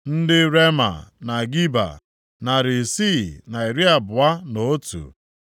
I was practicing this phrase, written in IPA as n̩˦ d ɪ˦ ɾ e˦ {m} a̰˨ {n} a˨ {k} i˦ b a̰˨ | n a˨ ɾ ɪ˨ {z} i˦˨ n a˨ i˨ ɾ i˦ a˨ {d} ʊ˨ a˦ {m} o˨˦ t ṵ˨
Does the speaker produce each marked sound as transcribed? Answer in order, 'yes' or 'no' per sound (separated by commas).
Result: yes, yes, no, no, no, no